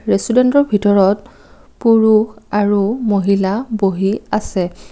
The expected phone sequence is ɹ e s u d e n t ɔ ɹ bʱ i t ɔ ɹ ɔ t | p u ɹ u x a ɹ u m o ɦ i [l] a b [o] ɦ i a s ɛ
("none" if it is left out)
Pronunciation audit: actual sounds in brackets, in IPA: l, o

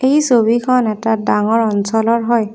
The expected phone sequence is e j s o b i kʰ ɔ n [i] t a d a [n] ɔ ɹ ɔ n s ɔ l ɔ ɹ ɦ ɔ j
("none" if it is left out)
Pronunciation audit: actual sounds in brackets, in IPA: ɛ, ŋ

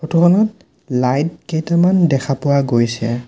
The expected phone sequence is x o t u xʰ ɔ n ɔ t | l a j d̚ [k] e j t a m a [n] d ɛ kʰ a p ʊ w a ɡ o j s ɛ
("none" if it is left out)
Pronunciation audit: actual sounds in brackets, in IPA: k, n

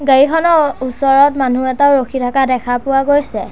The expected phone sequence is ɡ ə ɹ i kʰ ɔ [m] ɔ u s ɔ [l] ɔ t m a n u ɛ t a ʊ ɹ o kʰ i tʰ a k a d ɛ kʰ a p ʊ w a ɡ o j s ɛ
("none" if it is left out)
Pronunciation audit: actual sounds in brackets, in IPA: n, ɹ

